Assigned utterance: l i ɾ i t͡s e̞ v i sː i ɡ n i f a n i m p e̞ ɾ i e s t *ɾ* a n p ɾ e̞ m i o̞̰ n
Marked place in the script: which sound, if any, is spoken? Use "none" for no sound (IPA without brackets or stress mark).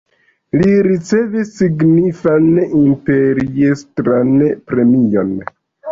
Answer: ɾ